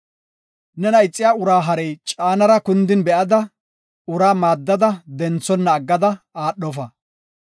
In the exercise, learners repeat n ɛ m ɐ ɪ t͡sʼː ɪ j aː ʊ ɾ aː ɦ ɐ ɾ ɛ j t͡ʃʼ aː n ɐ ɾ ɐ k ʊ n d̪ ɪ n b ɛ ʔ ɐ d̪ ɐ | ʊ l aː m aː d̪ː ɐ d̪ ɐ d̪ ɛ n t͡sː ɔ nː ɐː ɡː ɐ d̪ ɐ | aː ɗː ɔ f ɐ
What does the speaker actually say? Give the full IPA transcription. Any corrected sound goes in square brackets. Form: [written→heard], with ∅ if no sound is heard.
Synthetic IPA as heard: n ɛ [m→n] ɐ ɪ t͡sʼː ɪ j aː ʊ ɾ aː ɦ ɐ ɾ ɛ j t͡ʃʼ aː n ɐ ɾ ɐ k ʊ n d̪ ɪ n b ɛ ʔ ɐ d̪ ɐ | ʊ [l→ɾ] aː m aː d̪ː ɐ d̪ ɐ d̪ ɛ n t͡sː ɔ nː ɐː ɡː ɐ d̪ ɐ | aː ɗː ɔ f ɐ